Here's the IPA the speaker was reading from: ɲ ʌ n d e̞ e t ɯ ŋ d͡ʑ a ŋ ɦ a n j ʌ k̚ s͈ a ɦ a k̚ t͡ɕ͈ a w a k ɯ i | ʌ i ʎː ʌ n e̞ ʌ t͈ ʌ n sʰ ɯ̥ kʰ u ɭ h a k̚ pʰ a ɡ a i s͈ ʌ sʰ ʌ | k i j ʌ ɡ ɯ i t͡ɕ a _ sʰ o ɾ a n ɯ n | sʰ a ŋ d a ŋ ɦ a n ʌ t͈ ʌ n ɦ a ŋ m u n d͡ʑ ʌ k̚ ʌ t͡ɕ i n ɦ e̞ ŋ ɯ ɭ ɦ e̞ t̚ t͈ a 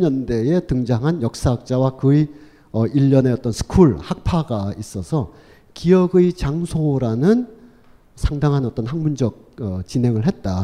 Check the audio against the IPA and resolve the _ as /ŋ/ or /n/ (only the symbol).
ŋ